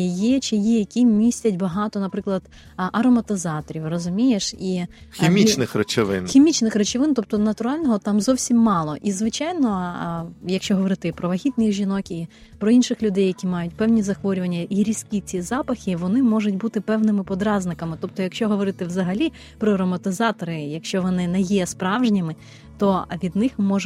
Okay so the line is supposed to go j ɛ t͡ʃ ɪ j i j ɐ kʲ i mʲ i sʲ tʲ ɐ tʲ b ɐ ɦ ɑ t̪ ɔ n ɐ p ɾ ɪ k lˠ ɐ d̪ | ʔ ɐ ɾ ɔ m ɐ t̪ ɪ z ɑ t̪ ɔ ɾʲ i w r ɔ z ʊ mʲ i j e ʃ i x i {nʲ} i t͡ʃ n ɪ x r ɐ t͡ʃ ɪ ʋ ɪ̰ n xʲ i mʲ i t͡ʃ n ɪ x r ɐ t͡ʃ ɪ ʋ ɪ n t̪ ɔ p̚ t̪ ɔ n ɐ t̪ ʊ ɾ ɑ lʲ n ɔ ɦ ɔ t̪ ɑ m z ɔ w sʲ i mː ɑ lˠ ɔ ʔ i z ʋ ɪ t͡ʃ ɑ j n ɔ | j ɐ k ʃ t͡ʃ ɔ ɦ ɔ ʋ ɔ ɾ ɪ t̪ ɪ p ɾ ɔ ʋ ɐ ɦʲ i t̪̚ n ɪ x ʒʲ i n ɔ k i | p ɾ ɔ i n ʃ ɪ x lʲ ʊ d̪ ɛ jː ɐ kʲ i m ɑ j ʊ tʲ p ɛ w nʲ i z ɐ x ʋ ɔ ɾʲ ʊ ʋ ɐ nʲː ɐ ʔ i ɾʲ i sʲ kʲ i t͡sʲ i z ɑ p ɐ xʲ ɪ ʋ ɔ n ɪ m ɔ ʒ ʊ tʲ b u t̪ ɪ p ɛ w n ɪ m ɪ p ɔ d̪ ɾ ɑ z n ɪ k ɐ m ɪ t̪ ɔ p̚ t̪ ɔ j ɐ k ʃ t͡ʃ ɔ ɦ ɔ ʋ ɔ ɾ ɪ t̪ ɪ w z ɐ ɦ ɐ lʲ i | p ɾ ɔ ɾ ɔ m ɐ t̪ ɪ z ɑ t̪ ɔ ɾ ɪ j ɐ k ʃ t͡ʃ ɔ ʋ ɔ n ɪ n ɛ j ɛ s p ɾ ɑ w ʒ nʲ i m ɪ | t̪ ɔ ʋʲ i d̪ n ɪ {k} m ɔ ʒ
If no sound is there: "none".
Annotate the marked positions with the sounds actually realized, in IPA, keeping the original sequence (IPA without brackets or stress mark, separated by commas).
mʲ, x